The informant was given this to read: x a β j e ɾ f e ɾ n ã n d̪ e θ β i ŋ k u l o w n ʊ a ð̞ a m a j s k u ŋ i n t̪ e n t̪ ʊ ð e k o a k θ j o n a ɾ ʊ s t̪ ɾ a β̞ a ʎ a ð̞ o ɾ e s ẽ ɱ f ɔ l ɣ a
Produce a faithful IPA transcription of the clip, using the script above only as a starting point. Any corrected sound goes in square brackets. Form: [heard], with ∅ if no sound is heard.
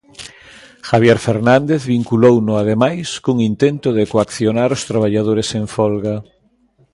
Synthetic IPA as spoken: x a β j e ɾ f e ɾ n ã n d̪ e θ β i ŋ k u l o w n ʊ a ð̞ [e] m a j s k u ŋ i n t̪ e n t̪ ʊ ð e k o a k θ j o n a ɾ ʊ s t̪ ɾ a β̞ a ʎ a ð̞ o ɾ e s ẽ ɱ f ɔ l ɣ a